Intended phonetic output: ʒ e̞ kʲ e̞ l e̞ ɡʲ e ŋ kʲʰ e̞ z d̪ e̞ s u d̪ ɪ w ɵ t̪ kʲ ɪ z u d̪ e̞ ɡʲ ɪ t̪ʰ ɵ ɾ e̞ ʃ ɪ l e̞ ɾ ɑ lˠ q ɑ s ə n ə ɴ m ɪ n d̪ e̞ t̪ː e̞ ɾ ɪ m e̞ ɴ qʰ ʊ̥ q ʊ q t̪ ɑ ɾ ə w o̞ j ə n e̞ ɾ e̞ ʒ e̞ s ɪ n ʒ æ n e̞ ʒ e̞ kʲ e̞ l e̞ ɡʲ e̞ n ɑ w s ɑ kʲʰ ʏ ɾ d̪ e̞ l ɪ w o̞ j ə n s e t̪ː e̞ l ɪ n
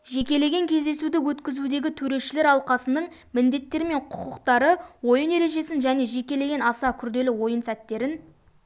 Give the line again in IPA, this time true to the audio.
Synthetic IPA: ʒ e̞ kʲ e̞ l e̞ ɡʲ e ŋ kʲʰ e̞ z d̪ e̞ s u d̪ ɪ w ɵ t̪ kʲ ɪ z u d̪ e̞ ɡʲ ɪ t̪ʰ ɵ ɾ e̞ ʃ ɪ l e̞ ɾ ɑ lˠ q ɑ s ə n ə ɴ m ɪ n d̪ e̞ t̪ː e̞ ɾ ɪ m e̞ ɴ qʰ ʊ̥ q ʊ q t̪ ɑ ɾ ə w o̞ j ə n e̞ ɾ e̞ ʒ e̞ s ɪ n ʒ æ n e̞ ʒ e̞ kʲ e̞ l e̞ ɡʲ e̞ n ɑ s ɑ kʲʰ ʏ ɾ d̪ e̞ l ɪ w o̞ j ə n s æ t̪ː e̞ ɾ ɪ n